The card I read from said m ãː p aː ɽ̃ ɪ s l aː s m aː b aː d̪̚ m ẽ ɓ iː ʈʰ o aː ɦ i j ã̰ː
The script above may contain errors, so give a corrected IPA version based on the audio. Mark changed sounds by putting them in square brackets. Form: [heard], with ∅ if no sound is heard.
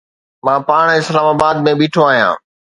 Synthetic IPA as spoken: m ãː p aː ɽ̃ ɪ s l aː [∅] m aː b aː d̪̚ m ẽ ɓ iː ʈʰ o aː ɦ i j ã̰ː

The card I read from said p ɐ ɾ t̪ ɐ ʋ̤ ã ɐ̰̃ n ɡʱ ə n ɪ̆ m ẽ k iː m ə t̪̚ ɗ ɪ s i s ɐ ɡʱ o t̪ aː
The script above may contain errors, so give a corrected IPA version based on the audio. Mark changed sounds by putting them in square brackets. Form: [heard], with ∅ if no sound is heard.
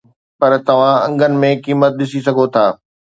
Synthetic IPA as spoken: p ɐ ɾ t̪ ɐ ʋ̤ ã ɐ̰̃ [ŋ] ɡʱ ə n ɪ̆ m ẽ k iː m ə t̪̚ ɗ ɪ s i s ɐ ɡʱ o [t̪ʰ] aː

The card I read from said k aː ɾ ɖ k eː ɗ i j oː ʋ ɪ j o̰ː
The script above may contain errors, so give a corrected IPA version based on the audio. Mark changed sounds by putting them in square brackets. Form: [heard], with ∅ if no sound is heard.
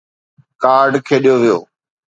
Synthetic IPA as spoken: k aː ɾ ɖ [kʰ] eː ɗ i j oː ʋ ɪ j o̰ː

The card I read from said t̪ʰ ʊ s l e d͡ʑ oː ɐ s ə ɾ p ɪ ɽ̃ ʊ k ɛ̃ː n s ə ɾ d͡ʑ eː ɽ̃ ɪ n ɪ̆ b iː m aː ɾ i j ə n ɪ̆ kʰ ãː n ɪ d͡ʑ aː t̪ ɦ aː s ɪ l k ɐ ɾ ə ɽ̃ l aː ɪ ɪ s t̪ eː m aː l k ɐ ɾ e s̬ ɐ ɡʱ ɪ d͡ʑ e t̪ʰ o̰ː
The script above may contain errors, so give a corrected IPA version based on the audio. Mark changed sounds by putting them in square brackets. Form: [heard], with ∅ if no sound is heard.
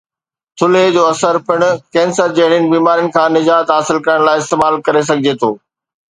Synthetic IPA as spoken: t̪ʰ ʊ [∅] l e d͡ʑ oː ɐ s ə ɾ p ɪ ɽ̃ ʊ k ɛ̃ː n s ə ɾ d͡ʑ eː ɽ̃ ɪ n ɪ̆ b iː m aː ɾ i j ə n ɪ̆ kʰ ãː n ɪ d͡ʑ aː t̪ ɦ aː s ɪ l k ɐ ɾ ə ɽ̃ l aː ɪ ɪ s t̪ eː m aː l k ɐ ɾ e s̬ ɐ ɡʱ ɪ d͡ʑ e t̪ʰ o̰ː

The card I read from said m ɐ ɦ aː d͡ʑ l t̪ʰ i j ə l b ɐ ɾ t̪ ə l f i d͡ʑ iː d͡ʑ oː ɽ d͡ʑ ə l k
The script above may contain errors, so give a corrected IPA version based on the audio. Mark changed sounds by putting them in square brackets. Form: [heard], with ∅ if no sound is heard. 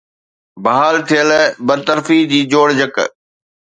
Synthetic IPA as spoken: [b] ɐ ɦ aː [∅] l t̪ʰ i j ə l b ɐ ɾ t̪ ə [ɾ] f i d͡ʑ iː d͡ʑ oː ɽ d͡ʑ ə [∅] k

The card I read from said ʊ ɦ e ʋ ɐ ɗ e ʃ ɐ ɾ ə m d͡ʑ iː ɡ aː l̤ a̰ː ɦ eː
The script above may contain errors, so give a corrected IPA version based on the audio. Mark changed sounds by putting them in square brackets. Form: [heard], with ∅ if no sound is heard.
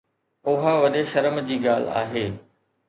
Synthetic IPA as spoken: ʊ ɦ [a] ʋ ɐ ɗ e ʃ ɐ ɾ ə m d͡ʑ iː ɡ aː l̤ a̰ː ɦ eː

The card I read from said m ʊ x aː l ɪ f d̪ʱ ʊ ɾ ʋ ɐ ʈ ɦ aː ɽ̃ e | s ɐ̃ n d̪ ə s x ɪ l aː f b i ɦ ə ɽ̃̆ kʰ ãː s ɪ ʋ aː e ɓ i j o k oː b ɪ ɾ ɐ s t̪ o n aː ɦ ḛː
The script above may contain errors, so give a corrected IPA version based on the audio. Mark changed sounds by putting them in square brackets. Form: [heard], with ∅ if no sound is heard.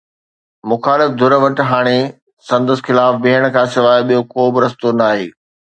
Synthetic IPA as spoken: m ʊ x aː l ɪ f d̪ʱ ʊ ɾ ʋ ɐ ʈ ɦ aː ɽ̃ e | s ɐ̃ n d̪ ə s x ɪ l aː f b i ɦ ə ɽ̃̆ kʰ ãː s ɪ ʋ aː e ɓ i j o k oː b ɪ ɾ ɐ s t̪ o n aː ɦ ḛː

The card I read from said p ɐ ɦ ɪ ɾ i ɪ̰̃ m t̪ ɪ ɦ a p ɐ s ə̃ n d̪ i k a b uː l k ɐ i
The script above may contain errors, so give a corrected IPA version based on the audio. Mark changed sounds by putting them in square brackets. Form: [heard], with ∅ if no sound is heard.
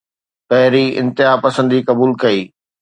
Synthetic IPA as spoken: p ɐ ɦ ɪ ɾ i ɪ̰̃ [n] t̪ ɪ ɦ a p ɐ s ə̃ n d̪ i k [ɐ] b uː l k ɐ [iː]

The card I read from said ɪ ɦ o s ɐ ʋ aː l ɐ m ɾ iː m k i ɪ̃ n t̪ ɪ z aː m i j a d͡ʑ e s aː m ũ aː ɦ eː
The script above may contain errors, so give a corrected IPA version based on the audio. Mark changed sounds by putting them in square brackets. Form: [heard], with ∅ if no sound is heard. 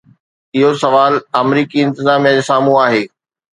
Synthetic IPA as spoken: ɪ ɦ o s ɐ ʋ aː l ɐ m ɾ iː [∅] k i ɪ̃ n t̪ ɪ z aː m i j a d͡ʑ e s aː m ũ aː ɦ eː

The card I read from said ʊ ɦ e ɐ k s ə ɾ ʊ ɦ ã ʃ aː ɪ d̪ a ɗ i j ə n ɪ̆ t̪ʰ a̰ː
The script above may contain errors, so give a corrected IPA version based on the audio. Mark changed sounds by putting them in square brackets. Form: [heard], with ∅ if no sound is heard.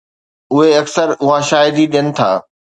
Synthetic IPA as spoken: ʊ ɦ e ɐ k s ə ɾ ʊ ɦ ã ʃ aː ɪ d̪ [i] ɗ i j ə n ɪ̆ t̪ʰ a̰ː

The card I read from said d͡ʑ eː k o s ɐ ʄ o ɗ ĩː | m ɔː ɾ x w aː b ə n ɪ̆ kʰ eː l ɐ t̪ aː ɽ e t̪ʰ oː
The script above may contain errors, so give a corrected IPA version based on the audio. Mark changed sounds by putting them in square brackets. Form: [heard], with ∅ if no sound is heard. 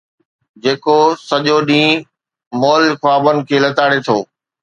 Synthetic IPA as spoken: d͡ʑ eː k o s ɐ ʄ o ɗ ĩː | m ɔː [l] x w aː b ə n ɪ̆ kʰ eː l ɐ t̪ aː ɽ e t̪ʰ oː

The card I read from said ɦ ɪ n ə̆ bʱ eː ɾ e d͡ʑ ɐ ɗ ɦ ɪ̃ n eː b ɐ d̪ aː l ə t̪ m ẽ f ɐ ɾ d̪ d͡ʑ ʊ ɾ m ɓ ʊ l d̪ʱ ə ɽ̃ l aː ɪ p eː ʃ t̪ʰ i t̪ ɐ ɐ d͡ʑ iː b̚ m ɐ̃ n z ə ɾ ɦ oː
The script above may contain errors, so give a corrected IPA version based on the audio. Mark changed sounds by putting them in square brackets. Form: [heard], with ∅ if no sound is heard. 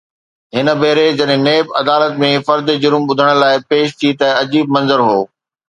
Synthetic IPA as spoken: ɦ ɪ n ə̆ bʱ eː ɾ e d͡ʑ ɐ ɗ ɦ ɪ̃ n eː b ɐ d̪ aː l ə t̪ m ẽ f ɐ ɾ d̪ d͡ʑ ʊ ɾ m ɓ ʊ [∅] d̪ʱ ə ɽ̃ l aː ɪ p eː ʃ t̪ʰ i t̪ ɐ ɐ d͡ʑ iː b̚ m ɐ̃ n z ə ɾ ɦ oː

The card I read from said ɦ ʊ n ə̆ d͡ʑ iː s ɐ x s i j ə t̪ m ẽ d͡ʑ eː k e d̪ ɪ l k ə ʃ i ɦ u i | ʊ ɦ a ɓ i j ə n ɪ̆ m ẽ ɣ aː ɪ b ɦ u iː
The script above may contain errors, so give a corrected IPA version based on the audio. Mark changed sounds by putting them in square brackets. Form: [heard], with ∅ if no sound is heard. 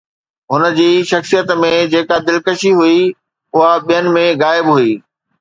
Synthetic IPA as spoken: ɦ ʊ n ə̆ d͡ʑ iː [ʃ] ɐ x s i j ə t̪ m ẽ d͡ʑ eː k [a] d̪ ɪ l k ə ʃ i ɦ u i | ʊ ɦ a ɓ i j ə n ɪ̆ m ẽ ɣ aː ɪ b ɦ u iː

